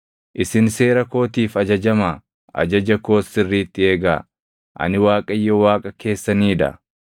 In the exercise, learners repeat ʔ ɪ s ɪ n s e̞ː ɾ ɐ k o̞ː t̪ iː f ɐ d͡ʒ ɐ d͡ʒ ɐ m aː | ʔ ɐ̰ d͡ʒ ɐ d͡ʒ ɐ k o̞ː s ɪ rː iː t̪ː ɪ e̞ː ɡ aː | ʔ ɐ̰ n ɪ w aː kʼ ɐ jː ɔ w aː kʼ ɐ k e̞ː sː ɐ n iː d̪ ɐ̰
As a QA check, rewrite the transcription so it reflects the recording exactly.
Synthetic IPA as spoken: ʔ ɪ s ɪ n s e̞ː ɾ ɐ k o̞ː t̪ iː f ɐ d͡ʒ ɐ d͡ʒ ɐ m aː | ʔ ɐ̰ d͡ʒ ɐ d͡ʒ ɐ k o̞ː s ɪ rː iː t̪ː ɪ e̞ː ɡ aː | ʔ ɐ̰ n ɪ w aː kʼ ɐ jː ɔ w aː kʼ ɐ k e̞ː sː ɐ n iː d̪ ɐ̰